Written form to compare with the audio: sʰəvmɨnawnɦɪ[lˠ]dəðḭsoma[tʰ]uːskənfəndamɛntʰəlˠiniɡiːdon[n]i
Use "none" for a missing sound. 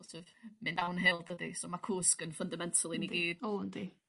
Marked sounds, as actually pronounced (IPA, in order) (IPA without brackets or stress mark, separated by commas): lˠ, kʰ, d